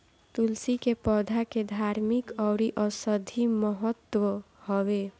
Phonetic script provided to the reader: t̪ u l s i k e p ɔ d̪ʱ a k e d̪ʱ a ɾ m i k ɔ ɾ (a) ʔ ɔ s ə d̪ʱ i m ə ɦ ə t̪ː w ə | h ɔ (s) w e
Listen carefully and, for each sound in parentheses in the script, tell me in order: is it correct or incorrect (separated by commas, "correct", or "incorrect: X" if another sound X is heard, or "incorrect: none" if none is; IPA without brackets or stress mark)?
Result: incorrect: i, incorrect: none